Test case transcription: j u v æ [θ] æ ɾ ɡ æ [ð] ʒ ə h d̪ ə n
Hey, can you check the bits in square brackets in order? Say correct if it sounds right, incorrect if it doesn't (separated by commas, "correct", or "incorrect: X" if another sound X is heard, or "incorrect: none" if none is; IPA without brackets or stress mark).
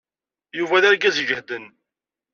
incorrect: ð, incorrect: z